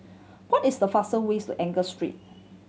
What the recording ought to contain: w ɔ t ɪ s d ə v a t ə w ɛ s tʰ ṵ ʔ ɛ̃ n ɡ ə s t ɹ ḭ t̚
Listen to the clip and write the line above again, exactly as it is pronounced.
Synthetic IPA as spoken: w ɔ t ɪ s d ə f a s ə w e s t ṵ ʔ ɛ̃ ŋ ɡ ə s t ɹ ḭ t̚